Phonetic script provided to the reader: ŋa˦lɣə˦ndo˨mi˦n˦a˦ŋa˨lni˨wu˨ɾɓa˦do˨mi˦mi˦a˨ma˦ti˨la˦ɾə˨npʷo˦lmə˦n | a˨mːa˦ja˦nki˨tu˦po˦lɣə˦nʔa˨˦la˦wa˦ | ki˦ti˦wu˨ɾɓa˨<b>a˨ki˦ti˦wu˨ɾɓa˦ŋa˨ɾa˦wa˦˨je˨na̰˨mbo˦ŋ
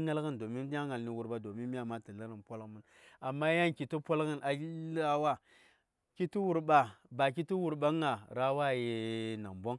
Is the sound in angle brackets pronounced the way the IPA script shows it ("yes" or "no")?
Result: yes